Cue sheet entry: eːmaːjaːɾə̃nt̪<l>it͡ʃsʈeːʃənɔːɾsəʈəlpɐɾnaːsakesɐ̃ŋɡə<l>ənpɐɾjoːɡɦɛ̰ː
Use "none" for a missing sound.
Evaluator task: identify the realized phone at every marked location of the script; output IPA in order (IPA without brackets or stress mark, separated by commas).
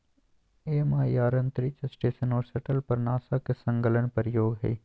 ɾ, l